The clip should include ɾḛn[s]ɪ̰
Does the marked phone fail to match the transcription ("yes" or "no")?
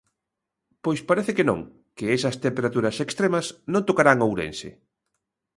no